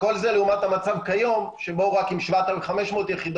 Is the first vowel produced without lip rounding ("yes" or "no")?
no